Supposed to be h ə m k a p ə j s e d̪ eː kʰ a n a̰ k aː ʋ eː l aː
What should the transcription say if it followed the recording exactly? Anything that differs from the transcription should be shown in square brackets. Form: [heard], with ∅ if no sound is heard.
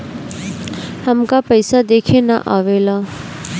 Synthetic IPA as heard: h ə m k a p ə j s [a] d̪ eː kʰ [e] n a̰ [ʔ] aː ʋ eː l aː